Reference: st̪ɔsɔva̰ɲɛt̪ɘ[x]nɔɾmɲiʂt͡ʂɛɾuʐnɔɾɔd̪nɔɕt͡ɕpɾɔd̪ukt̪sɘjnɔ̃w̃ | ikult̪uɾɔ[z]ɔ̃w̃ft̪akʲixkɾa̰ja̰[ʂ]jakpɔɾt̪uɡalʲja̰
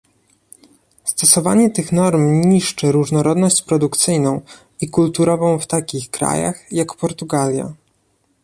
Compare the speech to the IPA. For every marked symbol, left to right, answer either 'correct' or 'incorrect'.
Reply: correct, incorrect: v, incorrect: x

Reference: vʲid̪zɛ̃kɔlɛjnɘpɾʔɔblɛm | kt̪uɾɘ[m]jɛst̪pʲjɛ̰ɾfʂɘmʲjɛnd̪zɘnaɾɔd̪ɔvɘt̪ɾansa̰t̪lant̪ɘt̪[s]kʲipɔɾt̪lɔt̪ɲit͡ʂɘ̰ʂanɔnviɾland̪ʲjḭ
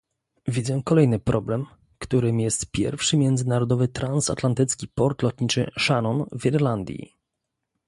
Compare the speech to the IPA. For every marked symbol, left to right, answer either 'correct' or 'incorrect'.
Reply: correct, correct

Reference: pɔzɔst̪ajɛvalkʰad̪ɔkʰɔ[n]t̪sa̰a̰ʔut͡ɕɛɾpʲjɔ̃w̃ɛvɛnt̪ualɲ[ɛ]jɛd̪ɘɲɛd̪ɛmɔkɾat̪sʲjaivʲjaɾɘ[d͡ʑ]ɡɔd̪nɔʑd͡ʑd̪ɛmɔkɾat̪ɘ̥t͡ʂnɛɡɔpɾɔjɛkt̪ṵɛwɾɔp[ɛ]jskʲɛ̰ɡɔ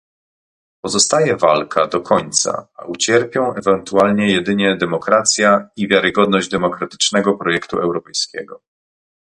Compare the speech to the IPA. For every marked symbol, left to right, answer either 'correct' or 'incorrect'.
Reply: incorrect: ɲ, correct, incorrect: none, correct

